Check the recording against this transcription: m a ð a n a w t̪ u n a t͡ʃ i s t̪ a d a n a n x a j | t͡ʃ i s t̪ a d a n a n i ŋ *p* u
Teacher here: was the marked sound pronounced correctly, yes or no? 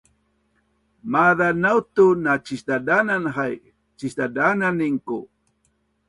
no